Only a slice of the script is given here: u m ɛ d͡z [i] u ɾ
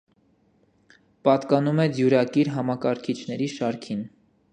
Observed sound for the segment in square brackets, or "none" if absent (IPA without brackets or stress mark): j